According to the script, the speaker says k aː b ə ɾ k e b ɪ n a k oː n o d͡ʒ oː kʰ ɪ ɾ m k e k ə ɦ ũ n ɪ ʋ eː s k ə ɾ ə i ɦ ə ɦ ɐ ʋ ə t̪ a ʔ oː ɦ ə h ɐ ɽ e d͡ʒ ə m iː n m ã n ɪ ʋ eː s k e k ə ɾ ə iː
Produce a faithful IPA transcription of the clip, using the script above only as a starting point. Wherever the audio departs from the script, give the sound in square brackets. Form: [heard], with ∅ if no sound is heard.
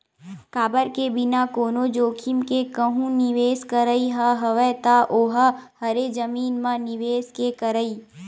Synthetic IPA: k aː b ə ɾ k e b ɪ n a k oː n o d͡ʒ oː kʰ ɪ [∅] m k e k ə ɦ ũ n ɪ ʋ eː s k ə ɾ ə i ɦ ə ɦ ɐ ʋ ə t̪ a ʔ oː ɦ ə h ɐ [ɾ] e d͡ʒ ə m iː n m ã n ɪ ʋ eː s k e k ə ɾ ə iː